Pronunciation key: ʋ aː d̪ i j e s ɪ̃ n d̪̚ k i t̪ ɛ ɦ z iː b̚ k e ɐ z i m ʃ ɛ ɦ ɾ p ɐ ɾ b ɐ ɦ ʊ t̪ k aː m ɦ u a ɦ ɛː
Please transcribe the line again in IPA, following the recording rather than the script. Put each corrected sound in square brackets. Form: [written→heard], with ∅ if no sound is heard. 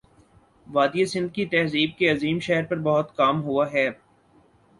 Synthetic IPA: ʋ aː d̪ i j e s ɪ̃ n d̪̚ k i t̪ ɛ ɦ z iː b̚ k e ɐ z [i→iː] m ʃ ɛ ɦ ɾ p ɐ ɾ b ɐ ɦ ʊ t̪ k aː m ɦ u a ɦ ɛː